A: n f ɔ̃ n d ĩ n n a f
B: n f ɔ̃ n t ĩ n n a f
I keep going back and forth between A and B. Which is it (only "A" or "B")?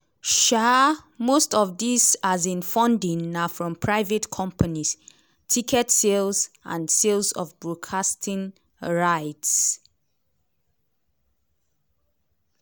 A